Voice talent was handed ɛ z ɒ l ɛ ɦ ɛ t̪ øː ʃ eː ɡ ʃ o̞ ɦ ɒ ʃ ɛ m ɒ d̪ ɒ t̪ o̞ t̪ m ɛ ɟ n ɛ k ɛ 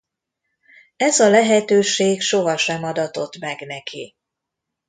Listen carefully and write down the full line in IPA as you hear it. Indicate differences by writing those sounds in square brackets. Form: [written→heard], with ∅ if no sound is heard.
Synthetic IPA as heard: ɛ z ɒ l ɛ ɦ ɛ t̪ øː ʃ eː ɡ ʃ o̞ ɦ ɒ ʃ ɛ m ɒ d̪ ɒ t̪ o̞ t̪ m ɛ [ɟ→ɡ] n ɛ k [ɛ→i]